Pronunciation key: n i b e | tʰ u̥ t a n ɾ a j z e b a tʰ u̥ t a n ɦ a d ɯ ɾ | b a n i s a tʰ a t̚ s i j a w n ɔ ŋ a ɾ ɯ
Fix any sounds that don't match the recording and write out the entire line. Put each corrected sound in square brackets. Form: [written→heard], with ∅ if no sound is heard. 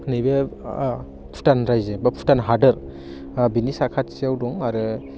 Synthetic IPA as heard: n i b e | [tʰ→pʰ] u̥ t a n ɾ a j z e b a [tʰ→pʰ] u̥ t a n ɦ a d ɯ ɾ | b [a→i] n i s a [tʰ→kʰ] a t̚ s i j a w [n→d] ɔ ŋ a ɾ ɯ